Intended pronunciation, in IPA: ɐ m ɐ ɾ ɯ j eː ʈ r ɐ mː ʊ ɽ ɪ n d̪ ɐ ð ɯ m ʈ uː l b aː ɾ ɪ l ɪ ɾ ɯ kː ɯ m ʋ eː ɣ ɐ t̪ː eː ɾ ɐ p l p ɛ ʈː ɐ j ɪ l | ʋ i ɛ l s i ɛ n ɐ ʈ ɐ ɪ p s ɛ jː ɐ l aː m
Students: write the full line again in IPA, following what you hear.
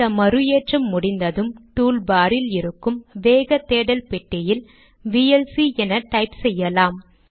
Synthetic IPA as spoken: ɐ m ɐ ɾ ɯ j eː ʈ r ɐ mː ʊ ɽ ɪ n d̪ ɐ ð ɯ m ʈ uː l b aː ɾ ɪ l ɪ ɾ ɯ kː ɯ m ʋ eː ɣ ɐ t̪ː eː ɽ ɐ l p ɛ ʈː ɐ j ɪ l | ʋ i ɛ l s i ɛ n ɐ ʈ ɐ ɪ p s ɛ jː ɐ l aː m